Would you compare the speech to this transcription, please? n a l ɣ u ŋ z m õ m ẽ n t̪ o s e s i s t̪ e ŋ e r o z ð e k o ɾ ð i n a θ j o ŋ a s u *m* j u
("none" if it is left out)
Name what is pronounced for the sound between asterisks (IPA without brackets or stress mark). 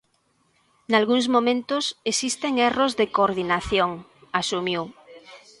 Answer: m